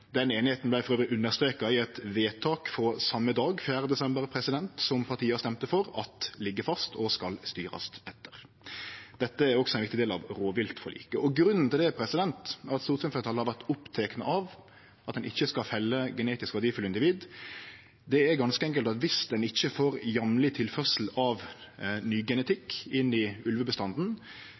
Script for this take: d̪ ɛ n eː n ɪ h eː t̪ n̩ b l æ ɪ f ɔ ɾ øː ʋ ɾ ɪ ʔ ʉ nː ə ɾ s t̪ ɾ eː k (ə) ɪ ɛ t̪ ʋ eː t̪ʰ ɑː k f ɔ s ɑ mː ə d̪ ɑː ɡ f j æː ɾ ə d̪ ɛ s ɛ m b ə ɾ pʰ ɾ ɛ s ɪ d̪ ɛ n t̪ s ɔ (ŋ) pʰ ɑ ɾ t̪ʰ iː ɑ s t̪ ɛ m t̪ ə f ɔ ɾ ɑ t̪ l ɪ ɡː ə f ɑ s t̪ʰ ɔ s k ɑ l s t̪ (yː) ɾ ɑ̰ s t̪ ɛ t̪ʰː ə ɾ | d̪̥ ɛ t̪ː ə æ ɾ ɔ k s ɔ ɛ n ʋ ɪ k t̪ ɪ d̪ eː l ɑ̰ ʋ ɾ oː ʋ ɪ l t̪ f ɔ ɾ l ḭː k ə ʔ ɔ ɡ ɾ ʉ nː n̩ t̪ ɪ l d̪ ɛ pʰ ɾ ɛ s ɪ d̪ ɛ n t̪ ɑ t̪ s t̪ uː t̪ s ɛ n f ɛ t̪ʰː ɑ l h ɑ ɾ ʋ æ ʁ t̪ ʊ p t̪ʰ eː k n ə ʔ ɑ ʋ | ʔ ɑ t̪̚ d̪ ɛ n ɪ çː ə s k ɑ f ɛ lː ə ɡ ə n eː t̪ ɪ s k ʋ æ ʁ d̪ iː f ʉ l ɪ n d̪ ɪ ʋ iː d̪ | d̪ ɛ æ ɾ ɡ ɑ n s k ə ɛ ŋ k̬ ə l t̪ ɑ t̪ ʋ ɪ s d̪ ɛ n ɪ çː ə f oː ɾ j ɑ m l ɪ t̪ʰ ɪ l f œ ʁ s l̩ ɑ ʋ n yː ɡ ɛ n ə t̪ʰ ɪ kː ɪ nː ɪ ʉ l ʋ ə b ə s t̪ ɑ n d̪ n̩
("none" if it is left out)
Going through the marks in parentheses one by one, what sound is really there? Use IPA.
ɑ, m, yː

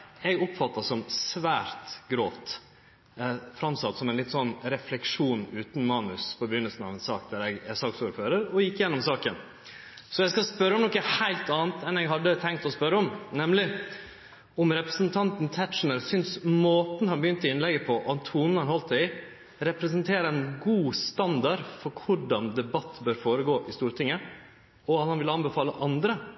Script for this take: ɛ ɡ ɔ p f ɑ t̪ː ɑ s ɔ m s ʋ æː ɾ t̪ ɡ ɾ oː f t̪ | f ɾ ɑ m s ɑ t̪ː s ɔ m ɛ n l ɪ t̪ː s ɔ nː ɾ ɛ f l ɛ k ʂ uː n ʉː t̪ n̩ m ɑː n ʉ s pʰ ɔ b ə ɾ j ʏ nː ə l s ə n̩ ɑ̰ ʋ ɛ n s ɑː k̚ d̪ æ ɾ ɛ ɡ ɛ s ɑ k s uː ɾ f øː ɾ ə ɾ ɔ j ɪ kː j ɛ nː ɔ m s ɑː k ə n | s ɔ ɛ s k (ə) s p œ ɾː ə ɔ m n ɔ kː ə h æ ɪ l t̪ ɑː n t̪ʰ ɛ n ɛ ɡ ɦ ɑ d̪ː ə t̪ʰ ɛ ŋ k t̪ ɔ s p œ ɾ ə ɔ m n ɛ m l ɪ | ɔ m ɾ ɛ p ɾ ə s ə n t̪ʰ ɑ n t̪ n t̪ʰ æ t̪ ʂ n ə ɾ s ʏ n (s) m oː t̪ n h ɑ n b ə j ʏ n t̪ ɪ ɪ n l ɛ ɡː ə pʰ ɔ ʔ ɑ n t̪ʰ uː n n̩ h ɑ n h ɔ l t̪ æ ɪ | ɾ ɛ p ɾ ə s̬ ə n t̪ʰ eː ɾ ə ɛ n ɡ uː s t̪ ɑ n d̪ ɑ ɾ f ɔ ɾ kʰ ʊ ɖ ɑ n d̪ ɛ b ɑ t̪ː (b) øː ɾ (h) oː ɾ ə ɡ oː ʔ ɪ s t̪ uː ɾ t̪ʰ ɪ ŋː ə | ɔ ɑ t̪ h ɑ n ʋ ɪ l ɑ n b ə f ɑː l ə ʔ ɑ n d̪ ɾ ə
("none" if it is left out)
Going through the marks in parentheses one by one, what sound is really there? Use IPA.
ɑ, s, b, f

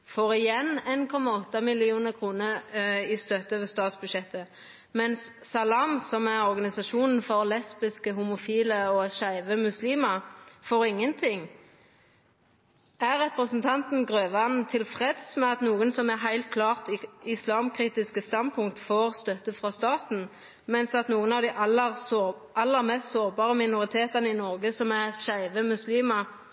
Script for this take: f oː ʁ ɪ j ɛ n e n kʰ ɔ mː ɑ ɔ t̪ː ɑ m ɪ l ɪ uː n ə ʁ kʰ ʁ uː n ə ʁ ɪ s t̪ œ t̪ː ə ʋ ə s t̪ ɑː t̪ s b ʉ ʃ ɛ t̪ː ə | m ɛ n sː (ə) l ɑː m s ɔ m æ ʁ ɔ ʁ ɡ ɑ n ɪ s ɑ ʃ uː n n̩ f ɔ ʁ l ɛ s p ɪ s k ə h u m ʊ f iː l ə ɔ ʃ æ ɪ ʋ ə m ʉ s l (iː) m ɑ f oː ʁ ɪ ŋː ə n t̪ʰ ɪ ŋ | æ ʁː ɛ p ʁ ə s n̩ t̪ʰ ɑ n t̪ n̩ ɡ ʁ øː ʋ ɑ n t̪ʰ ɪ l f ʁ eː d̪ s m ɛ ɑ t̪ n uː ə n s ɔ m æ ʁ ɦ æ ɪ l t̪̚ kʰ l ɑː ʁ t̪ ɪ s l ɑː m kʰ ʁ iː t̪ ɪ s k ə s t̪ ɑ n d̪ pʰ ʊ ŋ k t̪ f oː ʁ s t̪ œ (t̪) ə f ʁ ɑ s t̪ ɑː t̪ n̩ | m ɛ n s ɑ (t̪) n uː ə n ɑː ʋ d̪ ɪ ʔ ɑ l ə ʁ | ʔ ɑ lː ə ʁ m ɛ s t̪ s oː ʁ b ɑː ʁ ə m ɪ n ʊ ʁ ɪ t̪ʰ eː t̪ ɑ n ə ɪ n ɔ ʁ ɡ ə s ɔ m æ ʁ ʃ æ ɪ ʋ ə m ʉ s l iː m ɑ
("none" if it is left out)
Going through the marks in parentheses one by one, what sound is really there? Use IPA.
ɑ, iː, t̪, t̪

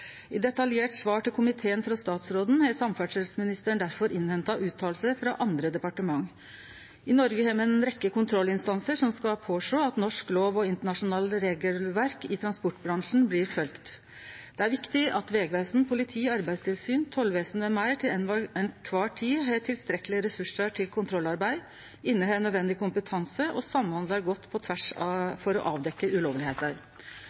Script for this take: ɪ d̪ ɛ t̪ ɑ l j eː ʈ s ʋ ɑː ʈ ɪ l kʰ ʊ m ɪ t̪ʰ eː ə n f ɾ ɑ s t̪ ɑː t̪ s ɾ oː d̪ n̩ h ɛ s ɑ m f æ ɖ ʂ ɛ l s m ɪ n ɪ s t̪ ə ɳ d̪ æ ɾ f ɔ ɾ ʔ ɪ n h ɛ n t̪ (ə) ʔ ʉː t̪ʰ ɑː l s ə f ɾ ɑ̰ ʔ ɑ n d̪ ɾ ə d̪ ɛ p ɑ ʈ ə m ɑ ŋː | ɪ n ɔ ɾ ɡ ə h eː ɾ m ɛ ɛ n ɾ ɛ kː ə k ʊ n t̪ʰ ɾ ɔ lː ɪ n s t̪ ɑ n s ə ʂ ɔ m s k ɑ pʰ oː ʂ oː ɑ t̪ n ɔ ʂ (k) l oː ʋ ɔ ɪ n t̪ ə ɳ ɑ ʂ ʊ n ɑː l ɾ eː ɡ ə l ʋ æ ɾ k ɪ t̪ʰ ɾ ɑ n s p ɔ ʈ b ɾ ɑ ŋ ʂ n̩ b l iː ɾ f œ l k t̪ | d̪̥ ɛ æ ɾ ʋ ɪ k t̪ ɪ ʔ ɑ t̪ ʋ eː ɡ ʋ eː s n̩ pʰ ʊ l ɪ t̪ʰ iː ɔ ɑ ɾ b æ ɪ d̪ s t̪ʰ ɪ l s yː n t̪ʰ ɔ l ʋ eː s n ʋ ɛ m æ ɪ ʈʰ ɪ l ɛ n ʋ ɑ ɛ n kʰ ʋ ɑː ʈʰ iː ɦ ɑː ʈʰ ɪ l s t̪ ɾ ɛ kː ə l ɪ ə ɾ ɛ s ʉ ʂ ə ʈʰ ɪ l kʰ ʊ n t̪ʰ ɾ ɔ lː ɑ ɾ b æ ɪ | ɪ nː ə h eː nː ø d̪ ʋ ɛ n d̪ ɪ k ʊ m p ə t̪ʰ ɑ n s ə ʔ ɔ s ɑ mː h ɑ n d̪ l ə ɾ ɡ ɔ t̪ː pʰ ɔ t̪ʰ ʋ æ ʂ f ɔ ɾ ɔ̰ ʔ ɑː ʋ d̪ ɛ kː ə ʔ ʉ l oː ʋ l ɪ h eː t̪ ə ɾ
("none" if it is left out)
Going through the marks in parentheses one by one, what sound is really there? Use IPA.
ɑ, k

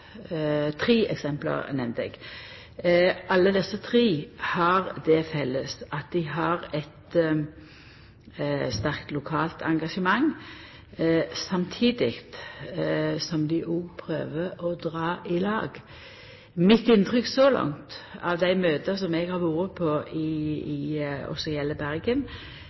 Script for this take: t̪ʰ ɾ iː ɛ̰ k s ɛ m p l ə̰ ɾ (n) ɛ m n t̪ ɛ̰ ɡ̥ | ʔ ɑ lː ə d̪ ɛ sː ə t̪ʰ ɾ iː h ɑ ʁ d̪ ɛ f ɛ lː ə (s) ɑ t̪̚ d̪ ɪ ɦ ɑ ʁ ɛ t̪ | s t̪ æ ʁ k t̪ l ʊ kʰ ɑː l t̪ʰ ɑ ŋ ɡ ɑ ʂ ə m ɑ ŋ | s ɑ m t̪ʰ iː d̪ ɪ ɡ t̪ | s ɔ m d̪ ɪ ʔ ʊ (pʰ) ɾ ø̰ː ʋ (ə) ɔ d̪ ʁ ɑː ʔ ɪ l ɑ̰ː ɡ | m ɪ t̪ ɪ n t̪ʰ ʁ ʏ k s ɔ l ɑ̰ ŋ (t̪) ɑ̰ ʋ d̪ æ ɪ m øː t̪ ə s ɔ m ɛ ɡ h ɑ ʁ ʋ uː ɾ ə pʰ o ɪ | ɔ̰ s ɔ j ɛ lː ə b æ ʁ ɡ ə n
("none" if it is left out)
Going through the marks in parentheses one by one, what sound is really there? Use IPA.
n, s, pʰ, ə, t̪

